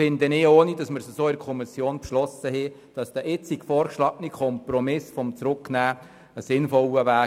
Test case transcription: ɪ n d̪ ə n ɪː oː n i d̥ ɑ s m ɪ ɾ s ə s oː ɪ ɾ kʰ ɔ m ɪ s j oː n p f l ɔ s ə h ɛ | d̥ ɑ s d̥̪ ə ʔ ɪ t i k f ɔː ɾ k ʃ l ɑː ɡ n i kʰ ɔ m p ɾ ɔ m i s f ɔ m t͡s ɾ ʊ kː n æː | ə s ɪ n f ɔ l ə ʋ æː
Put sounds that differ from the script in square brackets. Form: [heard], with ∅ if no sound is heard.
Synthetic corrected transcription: ɪ n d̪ ə n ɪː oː n i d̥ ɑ s m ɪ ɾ s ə s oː ɪ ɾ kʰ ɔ m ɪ s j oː n p [ʃ] l ɔ s ə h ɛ | d̥ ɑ s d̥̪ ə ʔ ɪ [t͡s] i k f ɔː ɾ k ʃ l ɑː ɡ n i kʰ ɔ m p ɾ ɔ m [ɪ] s f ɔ m t͡s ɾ ʊ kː n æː | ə s ɪ n f ɔ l ə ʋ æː

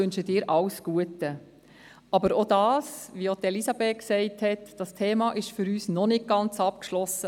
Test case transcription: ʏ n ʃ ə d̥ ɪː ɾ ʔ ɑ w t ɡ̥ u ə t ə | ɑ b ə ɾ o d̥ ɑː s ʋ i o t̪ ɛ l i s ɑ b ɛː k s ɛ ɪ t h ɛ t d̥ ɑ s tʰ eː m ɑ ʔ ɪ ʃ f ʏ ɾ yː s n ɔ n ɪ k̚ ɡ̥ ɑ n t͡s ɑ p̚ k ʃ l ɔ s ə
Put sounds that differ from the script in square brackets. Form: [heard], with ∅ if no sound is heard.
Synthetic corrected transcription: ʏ n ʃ ə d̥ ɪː ɾ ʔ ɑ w [s] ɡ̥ u ə t ə | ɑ b ə ɾ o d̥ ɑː s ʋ i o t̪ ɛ l i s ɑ b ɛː k s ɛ ɪ t h ɛ t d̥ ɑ s tʰ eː m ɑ ʔ ɪ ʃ f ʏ ɾ yː s n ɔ n ɪ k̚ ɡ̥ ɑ n t͡s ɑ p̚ k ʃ l ɔ s ə

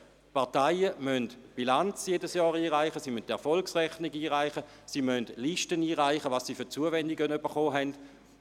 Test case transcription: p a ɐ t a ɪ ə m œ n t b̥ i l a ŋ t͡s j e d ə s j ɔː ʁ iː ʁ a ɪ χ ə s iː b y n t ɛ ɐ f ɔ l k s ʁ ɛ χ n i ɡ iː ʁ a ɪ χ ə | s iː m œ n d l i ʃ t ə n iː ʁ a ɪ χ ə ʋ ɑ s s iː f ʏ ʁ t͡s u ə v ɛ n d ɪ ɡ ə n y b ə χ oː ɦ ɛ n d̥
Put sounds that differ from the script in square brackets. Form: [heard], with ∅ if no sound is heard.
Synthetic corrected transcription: p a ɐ t a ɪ ə m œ n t b̥ i l a [n] t͡s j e d ə s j ɔː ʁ iː ʁ a ɪ χ ə s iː [m] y n t ɛ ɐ f ɔ l k s ʁ ɛ χ n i ɡ iː ʁ a ɪ χ ə | s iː m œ n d l i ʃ t ə n iː ʁ a ɪ χ ə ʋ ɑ s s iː f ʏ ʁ t͡s u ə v ɛ n d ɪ ɡ ə n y b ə χ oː ɦ ɛ n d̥

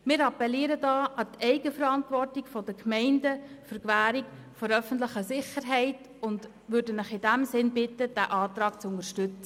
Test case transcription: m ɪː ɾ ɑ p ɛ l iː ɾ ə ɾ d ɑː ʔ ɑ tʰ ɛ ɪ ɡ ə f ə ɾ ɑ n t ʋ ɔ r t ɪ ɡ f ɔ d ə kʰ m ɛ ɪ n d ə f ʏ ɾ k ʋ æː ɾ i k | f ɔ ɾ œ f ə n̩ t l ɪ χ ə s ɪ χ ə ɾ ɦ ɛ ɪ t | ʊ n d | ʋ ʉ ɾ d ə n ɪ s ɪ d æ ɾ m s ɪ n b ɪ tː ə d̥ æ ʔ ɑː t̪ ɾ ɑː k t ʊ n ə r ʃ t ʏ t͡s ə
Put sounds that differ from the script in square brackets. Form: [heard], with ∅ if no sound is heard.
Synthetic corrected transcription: m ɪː ɾ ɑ p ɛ l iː ɾ ə [∅] d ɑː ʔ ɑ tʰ ɛ ɪ ɡ ə f ə ɾ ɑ n t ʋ ɔ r t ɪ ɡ f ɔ d ə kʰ m ɛ ɪ n d ə f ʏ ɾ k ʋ æː ɾ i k | f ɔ ɾ œ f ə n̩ t l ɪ χ ə s ɪ χ ə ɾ ɦ ɛ ɪ t | ʊ n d | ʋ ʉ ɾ d ə n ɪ [χ] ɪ d æ [∅] m s ɪ n b ɪ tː ə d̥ æ ʔ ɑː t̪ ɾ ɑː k [t͡s] ʊ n ə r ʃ t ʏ t͡s ə

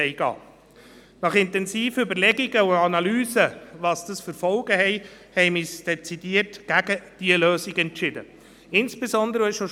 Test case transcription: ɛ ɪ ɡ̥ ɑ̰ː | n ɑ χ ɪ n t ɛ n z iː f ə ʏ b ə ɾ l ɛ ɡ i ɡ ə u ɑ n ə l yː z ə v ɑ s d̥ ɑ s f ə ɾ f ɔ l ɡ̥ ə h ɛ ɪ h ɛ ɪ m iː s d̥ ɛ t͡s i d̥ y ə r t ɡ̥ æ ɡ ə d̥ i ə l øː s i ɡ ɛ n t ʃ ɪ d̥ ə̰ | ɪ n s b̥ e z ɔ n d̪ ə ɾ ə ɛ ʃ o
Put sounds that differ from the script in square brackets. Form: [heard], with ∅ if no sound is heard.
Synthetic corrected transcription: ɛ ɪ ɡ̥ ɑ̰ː | n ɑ χ ɪ n t ɛ n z iː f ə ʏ b ə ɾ l ɛ ɡ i ɡ ə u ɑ n [ɑ] l yː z ə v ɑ s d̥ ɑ s f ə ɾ f ɔ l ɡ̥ ə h ɛ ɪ h ɛ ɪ m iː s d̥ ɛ t͡s i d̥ [i] ə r t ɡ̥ æ ɡ ə d̥ i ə l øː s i ɡ ɛ n t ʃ ɪ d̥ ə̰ | ɪ n s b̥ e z ɔ n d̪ ə ɾ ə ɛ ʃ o

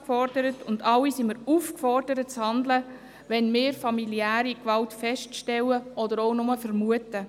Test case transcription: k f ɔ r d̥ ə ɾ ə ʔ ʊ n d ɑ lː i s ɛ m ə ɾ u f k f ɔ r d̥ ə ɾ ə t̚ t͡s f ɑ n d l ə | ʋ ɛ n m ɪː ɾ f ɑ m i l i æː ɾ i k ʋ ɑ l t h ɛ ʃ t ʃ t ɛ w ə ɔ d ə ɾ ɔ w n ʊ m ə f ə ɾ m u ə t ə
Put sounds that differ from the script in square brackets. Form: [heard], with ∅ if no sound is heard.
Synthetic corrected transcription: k f ɔ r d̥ ə ɾ ə [t] ʊ n d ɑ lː i s [i] m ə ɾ u f k f ɔ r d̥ ə ɾ ə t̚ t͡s [h] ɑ n d l ə | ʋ ɛ n m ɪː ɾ f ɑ m i l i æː ɾ i k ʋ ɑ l t [f] ɛ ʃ t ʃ t ɛ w ə ɔ d ə ɾ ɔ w n ʊ m ə f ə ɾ m u ə t ə

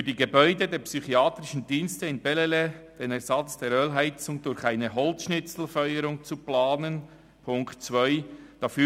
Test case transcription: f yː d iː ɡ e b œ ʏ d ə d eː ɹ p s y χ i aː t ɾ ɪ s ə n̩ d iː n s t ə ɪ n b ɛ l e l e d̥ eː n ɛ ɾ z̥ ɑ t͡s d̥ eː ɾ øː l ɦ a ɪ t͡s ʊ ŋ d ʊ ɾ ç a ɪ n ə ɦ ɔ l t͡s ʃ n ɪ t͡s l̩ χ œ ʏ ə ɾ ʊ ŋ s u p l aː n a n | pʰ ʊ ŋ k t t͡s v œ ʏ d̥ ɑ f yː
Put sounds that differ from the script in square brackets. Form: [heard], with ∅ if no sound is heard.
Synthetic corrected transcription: f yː d iː ɡ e b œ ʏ d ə d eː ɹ p s y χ i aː t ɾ ɪ [ʃ] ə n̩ d iː n s t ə ɪ n b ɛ l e l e d̥ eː n ɛ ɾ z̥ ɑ t͡s d̥ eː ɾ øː l ɦ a ɪ t͡s ʊ ŋ d ʊ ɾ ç a ɪ n ə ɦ ɔ l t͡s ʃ n ɪ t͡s l̩ [f] œ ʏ ə ɾ ʊ ŋ [t͡s] u p l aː n [ə] n | pʰ ʊ ŋ k t t͡s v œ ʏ d̥ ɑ f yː

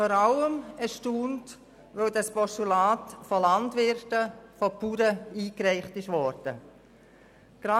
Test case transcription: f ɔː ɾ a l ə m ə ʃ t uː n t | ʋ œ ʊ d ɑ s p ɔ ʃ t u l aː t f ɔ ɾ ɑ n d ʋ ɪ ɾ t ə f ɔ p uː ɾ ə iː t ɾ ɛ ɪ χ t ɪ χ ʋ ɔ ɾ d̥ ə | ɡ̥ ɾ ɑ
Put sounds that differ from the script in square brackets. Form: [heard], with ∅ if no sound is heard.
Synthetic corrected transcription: f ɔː ɾ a l ə m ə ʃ t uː n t | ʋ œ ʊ d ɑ s p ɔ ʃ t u l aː t f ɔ [l] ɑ n d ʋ ɪ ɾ t ə f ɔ p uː ɾ ə iː [k] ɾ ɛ ɪ χ t ɪ [ʃ] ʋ ɔ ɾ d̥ ə | ɡ̥ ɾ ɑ

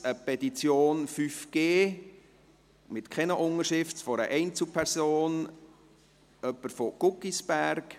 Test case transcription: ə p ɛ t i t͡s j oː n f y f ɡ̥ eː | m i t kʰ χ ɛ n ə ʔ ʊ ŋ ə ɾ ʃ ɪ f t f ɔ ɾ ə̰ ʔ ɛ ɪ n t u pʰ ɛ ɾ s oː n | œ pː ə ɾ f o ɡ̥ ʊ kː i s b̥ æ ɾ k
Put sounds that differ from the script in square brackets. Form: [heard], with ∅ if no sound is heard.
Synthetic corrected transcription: ə p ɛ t i t͡s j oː n f y f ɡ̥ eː | m [ɪ] t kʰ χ ɛ n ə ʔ ʊ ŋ ə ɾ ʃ ɪ f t f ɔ ɾ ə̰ ʔ ɛ ɪ n [t͡s] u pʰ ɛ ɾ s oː n | œ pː ə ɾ f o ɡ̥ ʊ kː i s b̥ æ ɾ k

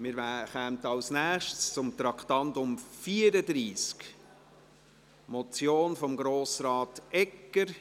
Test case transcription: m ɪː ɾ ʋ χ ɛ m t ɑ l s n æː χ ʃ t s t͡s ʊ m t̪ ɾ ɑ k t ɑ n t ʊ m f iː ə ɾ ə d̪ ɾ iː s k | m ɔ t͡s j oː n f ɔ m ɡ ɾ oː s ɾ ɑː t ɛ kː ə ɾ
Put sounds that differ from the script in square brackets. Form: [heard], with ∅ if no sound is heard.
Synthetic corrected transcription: m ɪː ɾ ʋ χ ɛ m t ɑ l s n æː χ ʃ t s t͡s ʊ m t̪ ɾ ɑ k t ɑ n t ʊ m f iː ə ɾ ə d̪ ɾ iː s k | m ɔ t͡s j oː n f ɔ m ɡ ɾ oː s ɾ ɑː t ɛ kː ə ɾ

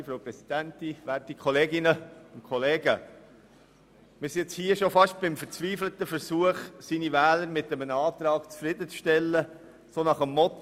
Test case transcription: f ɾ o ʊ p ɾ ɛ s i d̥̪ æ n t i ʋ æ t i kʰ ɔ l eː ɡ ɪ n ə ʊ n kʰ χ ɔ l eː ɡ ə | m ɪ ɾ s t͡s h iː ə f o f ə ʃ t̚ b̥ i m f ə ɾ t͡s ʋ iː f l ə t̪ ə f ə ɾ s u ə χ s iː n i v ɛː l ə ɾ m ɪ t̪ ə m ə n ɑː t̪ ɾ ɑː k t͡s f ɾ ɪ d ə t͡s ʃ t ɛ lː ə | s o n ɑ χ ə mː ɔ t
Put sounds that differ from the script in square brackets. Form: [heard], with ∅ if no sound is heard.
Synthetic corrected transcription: f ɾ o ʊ p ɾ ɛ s i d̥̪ æ n t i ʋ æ t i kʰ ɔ l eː ɡ ɪ n ə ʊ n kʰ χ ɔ l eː ɡ ə | m ɪ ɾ s t͡s h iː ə [ʃ] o f [ɑ] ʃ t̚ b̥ [ɪ] m f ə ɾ t͡s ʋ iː f l ə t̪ ə f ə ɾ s u ə χ s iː n i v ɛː l ə ɾ m ɪ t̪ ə m ə n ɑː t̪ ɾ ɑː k t͡s f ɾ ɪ d ə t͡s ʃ t ɛ lː ə | s o n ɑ χ ə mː ɔ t

